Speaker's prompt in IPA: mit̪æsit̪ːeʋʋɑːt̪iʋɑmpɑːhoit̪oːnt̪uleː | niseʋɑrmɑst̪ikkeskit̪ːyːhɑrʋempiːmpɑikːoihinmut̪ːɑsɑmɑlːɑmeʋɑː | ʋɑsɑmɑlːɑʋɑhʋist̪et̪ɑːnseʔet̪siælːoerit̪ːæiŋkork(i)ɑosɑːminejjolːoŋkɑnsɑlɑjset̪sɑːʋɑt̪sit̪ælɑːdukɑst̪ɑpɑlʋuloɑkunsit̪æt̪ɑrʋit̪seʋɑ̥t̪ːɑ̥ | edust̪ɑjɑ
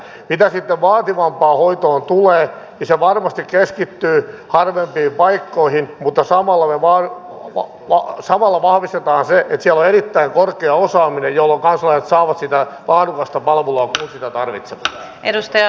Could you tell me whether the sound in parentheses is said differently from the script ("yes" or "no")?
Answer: yes